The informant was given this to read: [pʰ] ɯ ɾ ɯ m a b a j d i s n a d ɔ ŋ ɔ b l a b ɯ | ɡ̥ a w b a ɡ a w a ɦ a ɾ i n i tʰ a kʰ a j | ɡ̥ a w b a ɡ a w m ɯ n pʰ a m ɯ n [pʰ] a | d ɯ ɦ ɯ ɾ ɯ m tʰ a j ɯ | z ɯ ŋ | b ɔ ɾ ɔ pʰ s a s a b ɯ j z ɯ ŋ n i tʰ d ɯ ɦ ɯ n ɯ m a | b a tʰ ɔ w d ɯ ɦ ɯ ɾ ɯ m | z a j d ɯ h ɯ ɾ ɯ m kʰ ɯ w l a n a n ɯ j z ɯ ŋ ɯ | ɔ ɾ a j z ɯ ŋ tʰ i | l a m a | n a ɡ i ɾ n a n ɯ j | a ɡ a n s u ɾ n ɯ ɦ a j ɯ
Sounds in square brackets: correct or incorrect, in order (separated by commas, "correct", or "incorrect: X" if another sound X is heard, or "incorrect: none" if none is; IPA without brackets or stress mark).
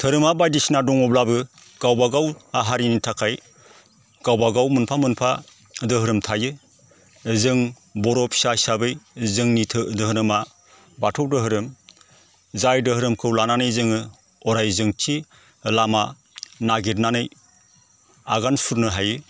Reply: incorrect: tʰ, correct